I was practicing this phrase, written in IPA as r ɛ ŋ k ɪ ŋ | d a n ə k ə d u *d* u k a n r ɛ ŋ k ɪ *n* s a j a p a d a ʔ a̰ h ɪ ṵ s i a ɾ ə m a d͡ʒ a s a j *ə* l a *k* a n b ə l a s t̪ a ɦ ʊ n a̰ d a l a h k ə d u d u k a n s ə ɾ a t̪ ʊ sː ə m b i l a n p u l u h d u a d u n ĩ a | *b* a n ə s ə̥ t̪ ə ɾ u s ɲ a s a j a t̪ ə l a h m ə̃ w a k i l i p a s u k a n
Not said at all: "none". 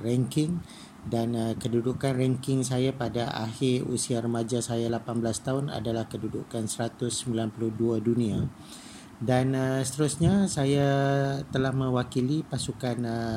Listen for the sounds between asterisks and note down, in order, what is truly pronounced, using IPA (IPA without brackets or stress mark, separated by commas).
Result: d, ŋ, a, p, d